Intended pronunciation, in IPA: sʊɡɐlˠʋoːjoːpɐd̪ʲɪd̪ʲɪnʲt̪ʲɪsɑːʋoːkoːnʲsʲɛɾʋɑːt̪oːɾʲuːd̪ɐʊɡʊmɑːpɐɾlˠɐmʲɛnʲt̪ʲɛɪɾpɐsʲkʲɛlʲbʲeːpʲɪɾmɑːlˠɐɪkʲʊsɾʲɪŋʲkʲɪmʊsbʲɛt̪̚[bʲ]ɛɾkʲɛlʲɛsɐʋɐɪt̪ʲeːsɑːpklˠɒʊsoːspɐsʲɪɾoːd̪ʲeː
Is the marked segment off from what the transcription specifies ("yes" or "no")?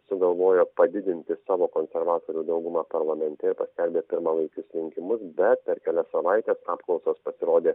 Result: yes